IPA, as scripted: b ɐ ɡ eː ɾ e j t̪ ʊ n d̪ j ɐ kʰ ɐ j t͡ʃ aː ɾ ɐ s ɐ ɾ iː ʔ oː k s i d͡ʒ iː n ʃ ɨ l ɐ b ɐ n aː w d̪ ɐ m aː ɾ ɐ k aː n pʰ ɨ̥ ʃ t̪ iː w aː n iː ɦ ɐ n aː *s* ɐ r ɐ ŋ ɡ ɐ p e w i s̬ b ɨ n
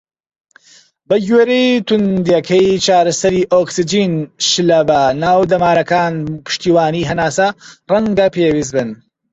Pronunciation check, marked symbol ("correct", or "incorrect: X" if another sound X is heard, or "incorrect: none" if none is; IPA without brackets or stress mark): correct